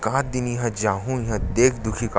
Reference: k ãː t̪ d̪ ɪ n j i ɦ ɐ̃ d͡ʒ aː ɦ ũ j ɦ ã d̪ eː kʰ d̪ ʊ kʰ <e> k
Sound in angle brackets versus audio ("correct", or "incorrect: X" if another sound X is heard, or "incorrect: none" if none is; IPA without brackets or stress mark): incorrect: i